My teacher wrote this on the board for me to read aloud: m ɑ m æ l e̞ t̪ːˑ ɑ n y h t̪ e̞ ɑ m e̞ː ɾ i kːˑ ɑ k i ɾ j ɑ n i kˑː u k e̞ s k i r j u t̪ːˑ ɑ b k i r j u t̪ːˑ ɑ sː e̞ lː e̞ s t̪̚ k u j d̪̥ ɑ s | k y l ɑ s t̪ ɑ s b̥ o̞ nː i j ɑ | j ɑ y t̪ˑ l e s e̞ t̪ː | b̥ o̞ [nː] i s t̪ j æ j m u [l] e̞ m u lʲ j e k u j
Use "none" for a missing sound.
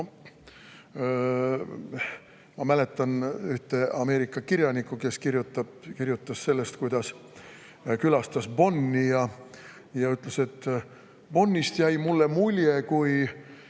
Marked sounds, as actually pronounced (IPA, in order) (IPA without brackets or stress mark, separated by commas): nː, lː